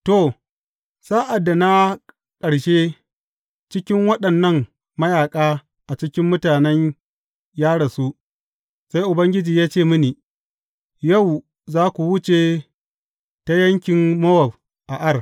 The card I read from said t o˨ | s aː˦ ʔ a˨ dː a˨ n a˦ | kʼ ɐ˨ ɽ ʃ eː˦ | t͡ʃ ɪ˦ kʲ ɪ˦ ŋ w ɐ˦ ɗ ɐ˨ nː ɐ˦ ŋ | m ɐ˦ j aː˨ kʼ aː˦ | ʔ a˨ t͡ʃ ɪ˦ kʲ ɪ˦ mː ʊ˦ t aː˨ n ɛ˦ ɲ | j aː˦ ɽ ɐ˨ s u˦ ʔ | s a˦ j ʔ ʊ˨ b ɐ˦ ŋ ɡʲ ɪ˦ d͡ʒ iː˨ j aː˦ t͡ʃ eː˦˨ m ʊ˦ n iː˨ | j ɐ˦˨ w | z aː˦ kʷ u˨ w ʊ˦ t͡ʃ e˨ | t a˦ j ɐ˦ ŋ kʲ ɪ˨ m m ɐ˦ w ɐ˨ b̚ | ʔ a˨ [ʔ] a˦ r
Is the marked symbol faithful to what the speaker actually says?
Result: yes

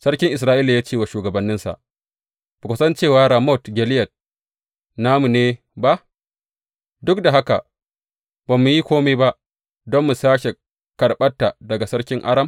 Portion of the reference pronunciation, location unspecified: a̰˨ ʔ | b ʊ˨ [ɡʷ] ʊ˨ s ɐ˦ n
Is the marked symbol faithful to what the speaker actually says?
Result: no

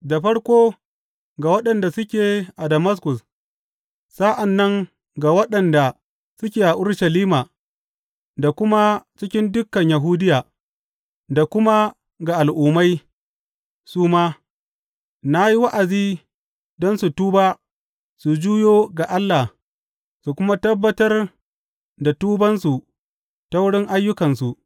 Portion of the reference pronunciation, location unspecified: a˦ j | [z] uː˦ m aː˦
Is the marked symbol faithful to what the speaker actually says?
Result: no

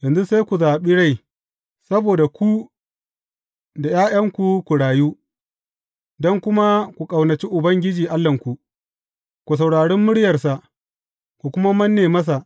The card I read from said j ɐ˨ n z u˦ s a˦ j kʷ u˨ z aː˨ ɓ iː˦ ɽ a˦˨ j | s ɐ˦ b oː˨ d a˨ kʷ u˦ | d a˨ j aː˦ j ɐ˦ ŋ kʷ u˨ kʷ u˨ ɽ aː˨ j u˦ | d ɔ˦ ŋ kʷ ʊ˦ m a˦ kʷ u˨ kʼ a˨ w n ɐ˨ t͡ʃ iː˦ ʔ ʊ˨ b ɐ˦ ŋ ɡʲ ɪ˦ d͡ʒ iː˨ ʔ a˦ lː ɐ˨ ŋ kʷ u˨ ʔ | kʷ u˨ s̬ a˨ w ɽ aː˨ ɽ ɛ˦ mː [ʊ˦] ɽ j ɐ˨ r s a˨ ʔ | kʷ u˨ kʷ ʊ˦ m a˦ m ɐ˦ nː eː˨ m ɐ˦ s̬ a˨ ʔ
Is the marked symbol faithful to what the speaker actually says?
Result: yes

